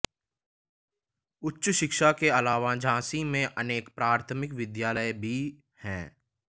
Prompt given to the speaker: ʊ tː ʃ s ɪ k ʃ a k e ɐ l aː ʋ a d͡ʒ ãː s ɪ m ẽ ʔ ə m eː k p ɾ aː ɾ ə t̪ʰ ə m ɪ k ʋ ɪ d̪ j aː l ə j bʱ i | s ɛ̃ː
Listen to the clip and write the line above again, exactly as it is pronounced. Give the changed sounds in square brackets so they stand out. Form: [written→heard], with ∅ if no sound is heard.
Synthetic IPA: ʊ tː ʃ [s→ʃ] ɪ k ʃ a k e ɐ l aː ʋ a d͡ʒ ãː s [ɪ→i] m ẽ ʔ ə [m→n] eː k p ɾ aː ɾ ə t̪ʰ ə m ɪ k ʋ ɪ d̪ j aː l ə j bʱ i | [s→h] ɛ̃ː